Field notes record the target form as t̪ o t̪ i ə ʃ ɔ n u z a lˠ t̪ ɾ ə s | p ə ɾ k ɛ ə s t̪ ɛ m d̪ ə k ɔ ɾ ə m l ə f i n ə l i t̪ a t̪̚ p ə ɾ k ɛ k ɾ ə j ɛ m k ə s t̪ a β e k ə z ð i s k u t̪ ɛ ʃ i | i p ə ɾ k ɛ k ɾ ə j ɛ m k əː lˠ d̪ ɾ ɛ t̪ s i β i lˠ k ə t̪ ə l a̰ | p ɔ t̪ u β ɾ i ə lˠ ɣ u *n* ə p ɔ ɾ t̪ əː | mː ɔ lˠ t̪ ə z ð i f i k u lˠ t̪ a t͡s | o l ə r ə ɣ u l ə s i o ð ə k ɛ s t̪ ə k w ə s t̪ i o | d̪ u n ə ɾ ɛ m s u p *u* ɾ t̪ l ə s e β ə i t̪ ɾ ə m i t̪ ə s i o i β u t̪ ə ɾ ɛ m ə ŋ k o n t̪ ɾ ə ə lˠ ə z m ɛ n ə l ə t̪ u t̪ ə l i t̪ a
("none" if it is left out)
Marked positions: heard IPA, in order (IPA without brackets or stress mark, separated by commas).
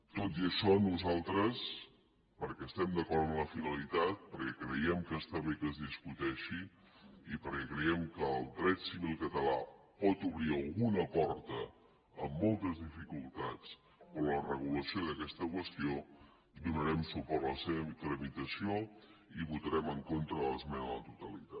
n, ɔ